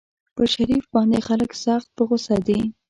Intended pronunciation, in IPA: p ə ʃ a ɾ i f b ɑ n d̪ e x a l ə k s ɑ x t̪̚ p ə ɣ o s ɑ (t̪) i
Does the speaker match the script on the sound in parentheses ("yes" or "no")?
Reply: no